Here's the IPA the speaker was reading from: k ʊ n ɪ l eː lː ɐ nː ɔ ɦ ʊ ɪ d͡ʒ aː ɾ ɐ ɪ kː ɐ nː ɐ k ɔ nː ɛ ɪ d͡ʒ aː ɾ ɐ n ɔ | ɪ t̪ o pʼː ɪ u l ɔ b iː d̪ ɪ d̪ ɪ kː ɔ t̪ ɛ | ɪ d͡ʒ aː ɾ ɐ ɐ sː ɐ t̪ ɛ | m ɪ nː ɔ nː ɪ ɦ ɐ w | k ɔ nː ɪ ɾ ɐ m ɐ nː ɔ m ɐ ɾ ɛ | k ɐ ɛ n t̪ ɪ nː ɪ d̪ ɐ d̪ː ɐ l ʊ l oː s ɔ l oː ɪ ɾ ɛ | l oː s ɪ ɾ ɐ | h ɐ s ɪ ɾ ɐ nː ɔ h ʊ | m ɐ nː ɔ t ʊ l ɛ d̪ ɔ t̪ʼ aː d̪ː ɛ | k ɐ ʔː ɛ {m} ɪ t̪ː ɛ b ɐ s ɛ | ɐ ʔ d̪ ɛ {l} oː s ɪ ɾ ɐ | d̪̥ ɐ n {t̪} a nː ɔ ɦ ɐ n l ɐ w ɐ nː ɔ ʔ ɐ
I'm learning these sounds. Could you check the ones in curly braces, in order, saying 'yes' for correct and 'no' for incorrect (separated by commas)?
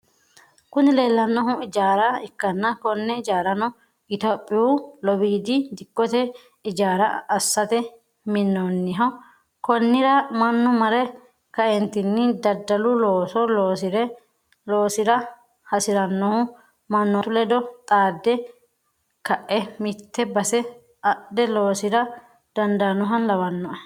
yes, yes, no